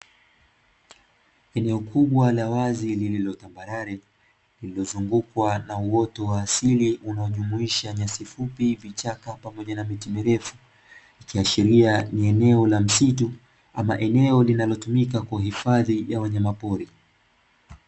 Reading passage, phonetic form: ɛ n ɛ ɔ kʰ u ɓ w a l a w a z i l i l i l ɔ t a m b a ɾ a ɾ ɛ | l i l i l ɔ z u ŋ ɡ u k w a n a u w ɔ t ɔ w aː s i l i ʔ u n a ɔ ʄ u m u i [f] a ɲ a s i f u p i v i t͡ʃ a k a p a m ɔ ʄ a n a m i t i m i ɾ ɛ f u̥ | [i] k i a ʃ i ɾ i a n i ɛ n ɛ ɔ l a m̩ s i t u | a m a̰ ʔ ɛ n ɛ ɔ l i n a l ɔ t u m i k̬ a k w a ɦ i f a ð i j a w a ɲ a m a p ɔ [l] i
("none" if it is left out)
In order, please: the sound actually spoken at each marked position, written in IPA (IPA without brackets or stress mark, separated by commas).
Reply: ʃ, i, ɾ